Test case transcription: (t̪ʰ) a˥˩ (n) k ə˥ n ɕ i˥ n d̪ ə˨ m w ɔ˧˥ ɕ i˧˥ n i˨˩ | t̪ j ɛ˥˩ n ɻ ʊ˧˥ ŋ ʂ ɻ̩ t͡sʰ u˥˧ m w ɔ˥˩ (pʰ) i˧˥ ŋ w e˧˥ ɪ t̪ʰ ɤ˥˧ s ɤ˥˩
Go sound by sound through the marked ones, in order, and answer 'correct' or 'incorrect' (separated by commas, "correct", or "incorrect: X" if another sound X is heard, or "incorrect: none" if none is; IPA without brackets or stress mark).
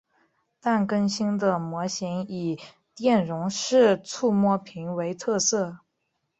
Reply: incorrect: t̪, correct, correct